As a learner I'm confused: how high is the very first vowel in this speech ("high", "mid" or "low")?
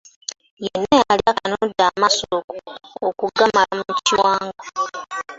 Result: mid